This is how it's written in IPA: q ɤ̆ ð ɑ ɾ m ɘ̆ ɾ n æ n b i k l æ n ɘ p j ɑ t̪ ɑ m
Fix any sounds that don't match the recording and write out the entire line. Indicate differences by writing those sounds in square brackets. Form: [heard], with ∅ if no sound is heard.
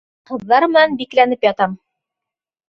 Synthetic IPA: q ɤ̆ [ðː] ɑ ɾ m ɘ̆ [∅] n æ n b i k l æ n ɘ p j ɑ t̪ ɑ m